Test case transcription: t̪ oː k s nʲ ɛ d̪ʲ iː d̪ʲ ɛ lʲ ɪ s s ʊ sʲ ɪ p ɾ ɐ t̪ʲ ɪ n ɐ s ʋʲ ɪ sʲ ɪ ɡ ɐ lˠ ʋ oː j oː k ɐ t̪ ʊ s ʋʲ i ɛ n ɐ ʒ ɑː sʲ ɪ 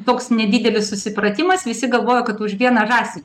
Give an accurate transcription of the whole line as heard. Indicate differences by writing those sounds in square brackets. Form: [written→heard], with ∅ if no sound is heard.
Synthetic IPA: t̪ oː k s nʲ ɛ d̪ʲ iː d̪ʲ ɛ lʲ ɪ s s ʊ sʲ ɪ p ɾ ɐ t̪ʲ ɪ [n→m] ɐ s ʋʲ ɪ sʲ ɪ ɡ ɐ lˠ ʋ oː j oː k ɐ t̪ ʊ [s→ʃ] ʋʲ i ɛ n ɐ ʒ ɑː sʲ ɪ